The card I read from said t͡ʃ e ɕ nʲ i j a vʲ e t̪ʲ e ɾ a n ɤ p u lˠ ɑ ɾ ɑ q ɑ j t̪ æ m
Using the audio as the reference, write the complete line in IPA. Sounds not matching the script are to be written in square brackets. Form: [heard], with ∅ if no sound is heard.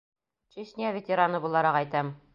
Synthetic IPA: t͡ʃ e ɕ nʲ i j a vʲ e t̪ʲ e ɾ a n ɤ [b] u lˠ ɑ ɾ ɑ q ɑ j t̪ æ m